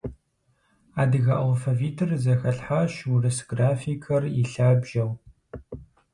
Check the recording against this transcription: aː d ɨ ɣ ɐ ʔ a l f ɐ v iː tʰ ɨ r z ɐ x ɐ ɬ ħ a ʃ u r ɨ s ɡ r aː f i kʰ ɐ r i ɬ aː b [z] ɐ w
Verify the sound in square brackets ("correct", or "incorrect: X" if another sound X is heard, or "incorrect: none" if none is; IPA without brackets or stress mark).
incorrect: ʒ